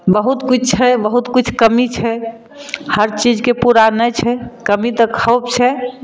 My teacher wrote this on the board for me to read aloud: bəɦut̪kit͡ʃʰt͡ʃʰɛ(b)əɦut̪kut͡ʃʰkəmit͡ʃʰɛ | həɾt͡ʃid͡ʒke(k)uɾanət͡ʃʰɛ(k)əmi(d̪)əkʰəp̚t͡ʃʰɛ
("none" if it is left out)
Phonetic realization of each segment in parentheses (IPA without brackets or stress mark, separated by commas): b, p, k, t̪